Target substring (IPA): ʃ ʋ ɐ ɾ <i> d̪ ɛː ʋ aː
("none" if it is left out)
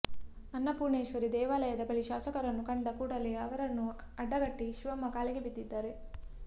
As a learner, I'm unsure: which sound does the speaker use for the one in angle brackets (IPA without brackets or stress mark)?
i